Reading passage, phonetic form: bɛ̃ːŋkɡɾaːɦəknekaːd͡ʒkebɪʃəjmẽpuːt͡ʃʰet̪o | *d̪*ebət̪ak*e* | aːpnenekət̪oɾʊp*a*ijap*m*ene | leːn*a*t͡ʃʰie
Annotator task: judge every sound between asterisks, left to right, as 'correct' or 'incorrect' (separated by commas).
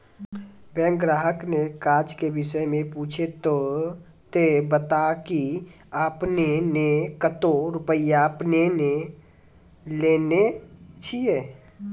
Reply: incorrect, incorrect, incorrect, incorrect, incorrect